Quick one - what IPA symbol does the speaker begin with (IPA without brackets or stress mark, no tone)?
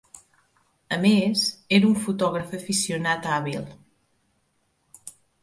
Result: ə